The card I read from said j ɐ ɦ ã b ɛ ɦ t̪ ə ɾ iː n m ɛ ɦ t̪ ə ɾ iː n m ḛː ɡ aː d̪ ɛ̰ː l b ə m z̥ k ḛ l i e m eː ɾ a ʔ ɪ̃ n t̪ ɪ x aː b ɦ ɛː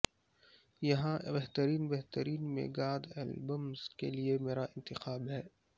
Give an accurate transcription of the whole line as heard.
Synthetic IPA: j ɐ ɦ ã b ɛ ɦ t̪ ə ɾ iː n b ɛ ɦ t̪ ə ɾ iː n m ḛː ɡ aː d̪ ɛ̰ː l b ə m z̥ k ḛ l i e m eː ɾ a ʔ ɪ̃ n t̪ ɪ x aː b ɦ ɛː